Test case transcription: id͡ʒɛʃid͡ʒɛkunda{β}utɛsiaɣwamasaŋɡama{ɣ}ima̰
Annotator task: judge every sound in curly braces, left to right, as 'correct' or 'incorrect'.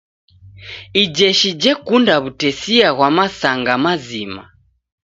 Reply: correct, incorrect: z

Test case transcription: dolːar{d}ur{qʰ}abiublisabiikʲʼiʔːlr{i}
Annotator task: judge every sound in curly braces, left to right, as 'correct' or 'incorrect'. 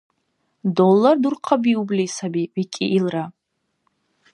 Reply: correct, correct, incorrect: a

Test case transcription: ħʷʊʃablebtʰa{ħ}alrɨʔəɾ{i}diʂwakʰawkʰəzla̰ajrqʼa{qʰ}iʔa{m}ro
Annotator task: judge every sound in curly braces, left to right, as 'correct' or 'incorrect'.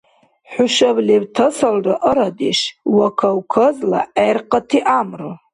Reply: incorrect: s, incorrect: a, incorrect: tʰ, correct

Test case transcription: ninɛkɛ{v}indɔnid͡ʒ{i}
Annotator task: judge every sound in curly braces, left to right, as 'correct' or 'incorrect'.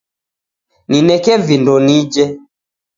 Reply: correct, incorrect: ɛ

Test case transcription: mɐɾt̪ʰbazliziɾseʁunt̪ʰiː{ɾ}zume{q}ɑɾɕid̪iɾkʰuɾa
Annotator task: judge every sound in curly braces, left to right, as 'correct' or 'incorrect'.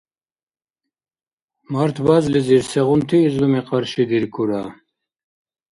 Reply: incorrect: none, correct

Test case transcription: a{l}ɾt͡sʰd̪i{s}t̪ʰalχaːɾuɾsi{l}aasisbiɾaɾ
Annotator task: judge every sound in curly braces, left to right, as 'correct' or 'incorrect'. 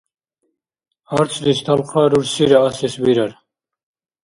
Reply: incorrect: none, correct, incorrect: ɾ

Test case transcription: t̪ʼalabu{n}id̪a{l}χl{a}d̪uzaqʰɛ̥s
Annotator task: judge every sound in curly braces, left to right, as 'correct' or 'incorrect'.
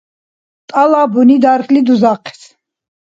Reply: correct, incorrect: ɾ, incorrect: i

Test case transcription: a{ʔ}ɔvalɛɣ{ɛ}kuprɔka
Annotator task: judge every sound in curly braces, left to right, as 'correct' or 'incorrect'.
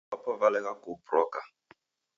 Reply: incorrect: p, incorrect: a

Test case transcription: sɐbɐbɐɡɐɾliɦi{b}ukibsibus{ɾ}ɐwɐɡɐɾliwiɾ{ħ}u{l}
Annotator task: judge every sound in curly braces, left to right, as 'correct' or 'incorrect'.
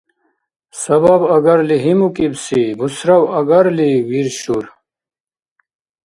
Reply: incorrect: m, correct, incorrect: ɕ, incorrect: ɾ

